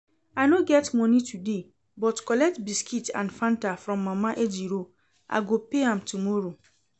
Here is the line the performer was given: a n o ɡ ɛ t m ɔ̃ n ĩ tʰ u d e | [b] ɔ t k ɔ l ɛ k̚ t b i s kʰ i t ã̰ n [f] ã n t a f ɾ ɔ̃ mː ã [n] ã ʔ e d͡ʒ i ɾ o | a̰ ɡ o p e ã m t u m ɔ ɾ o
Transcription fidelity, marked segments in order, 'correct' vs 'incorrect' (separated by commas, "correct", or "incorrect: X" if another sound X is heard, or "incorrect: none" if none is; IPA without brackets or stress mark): correct, correct, incorrect: m